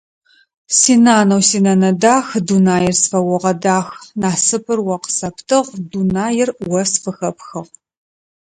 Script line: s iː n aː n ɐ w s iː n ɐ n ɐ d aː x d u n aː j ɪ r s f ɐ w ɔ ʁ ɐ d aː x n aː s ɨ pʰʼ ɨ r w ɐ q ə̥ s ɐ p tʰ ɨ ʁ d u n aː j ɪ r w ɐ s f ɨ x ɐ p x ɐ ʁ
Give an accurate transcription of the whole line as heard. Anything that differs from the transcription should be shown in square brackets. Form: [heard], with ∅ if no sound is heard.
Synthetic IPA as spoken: s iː n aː n ɐ w s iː n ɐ n ɐ d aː x d u n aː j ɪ r s f ɐ w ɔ ʁ ɐ d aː x n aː s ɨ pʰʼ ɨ r w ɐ q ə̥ s ɐ p tʰ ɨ ʁ d u n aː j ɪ r w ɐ s f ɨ x ɐ p x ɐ ʁ